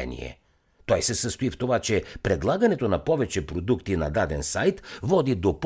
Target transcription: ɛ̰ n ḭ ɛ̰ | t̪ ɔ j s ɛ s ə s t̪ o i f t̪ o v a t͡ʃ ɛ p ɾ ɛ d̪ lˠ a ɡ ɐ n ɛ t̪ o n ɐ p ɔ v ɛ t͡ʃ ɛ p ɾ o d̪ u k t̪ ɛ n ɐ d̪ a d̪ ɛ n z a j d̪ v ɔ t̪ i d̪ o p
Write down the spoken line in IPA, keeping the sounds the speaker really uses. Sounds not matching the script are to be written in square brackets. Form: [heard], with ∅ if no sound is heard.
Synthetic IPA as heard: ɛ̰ n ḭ ɛ̰ | t̪ ɔ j s ɛ s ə s t̪ o i f t̪ o v a t͡ʃ ɛ p ɾ ɛ d̪ lˠ a ɡ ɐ n ɛ t̪ o n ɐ p ɔ v ɛ t͡ʃ ɛ p ɾ o d̪ u k t̪ [i] n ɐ d̪ a d̪ ɛ n [s] a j [t̪] v ɔ [d̪] i d̪ o p